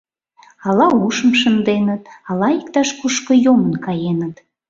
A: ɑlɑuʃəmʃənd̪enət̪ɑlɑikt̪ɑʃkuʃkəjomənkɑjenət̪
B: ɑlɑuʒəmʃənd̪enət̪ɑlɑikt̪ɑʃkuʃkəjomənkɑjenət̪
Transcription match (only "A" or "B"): A